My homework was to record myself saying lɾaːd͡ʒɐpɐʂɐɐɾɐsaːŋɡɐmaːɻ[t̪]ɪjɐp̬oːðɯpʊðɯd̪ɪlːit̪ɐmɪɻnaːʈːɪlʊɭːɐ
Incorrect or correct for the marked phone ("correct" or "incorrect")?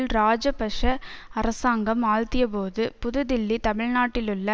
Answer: correct